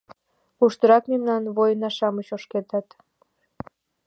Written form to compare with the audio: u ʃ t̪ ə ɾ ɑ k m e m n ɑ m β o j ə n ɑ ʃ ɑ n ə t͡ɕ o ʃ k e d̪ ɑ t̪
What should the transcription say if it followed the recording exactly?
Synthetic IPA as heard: u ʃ t̪ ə ɾ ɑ k m e m n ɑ n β o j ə n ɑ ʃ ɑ m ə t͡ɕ o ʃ k e t̪ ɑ t̪

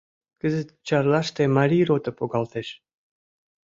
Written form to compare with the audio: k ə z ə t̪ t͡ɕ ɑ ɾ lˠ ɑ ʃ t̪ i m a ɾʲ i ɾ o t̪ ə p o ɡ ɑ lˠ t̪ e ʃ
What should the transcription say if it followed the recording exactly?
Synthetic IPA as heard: k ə z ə t̪ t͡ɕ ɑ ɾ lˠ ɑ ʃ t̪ e m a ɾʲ i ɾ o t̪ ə p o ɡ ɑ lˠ t̪ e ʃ

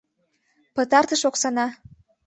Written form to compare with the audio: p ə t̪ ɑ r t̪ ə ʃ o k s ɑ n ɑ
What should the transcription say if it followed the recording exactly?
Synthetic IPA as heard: p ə t̪ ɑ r t̪ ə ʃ o k s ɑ n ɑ

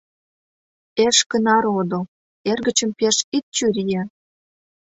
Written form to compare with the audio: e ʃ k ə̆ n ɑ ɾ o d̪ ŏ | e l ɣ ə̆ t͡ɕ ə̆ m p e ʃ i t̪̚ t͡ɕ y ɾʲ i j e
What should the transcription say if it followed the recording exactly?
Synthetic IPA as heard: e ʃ k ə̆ n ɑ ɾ o d̪ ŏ | e r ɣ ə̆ t͡ɕ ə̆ m p e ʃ i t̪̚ t͡ɕ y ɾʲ i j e

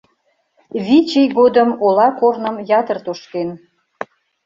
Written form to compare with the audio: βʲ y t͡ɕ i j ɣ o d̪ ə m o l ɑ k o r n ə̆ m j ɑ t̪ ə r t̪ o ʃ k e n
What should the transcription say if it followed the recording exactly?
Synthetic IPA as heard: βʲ i t͡ɕ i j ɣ o d̪ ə m o l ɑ k o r n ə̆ m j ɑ t̪ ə r t̪ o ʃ k e n

